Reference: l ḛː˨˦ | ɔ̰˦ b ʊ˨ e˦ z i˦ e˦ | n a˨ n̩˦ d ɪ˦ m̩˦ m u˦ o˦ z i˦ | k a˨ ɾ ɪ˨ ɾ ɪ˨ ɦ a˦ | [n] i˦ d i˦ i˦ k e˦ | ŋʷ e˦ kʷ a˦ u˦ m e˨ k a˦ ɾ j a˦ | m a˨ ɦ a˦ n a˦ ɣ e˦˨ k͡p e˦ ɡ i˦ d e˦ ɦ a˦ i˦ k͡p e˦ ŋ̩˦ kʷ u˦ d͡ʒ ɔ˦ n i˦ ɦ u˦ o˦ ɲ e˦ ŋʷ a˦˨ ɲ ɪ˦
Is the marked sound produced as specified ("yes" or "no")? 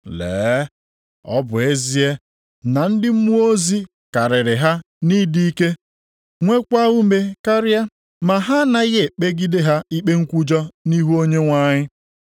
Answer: yes